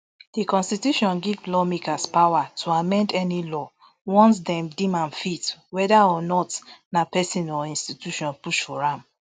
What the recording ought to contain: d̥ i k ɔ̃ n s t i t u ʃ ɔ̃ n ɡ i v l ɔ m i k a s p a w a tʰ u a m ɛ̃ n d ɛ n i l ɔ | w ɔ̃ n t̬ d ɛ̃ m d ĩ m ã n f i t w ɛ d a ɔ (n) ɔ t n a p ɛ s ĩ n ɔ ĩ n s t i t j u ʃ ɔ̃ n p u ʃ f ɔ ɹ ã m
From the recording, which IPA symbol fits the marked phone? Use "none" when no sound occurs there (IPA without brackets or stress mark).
n